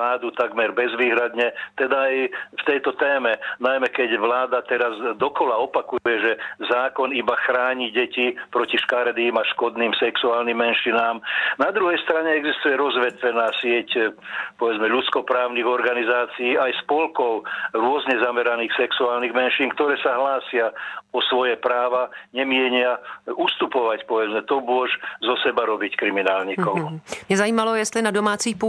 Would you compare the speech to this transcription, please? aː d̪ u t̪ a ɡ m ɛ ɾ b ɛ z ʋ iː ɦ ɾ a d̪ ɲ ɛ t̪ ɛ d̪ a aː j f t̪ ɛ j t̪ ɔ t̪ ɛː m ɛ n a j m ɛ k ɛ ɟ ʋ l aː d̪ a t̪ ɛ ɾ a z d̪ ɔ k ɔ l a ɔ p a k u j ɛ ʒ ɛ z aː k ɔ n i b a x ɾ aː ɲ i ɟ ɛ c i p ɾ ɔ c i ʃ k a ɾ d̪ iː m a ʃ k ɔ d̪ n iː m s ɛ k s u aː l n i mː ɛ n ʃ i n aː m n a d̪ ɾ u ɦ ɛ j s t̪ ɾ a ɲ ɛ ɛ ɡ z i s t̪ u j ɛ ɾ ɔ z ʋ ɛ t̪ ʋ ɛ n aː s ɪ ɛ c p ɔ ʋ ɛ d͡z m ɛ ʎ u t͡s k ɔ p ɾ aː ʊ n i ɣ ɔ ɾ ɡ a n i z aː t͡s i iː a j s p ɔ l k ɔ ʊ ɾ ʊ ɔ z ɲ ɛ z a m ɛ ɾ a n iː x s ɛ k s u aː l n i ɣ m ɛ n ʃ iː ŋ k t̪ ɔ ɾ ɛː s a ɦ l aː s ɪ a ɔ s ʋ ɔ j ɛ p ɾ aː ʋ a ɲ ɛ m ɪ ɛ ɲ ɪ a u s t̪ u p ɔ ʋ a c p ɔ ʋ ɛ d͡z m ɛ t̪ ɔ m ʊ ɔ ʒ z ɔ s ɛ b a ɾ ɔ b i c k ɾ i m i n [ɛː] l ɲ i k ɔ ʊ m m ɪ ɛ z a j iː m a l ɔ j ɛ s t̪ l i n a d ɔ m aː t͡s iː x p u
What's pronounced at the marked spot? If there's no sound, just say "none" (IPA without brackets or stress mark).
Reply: aː